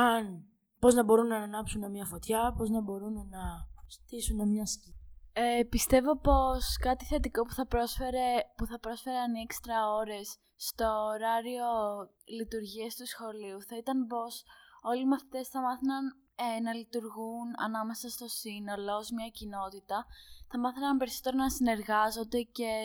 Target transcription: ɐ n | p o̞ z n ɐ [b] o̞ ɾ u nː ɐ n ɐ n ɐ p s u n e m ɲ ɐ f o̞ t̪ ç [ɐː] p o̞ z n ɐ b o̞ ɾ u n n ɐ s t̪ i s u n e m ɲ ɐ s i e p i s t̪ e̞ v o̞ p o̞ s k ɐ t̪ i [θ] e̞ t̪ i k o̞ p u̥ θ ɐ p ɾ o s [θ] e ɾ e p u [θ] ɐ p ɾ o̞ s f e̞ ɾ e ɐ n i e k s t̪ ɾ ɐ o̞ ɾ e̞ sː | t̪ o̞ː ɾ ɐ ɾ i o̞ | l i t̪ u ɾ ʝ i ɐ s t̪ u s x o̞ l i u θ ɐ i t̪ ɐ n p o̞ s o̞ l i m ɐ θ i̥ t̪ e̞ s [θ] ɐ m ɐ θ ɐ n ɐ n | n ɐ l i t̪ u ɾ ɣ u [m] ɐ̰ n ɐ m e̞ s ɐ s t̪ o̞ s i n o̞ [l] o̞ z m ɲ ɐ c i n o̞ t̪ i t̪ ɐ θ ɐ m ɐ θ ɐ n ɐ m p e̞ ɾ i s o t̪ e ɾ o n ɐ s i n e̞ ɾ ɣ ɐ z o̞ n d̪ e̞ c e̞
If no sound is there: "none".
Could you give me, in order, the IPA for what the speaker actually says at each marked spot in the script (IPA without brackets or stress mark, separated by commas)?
b, ɐ, θ, f, θ, θ, n, l